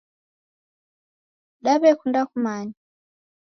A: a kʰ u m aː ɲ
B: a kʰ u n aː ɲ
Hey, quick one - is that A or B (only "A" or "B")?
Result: A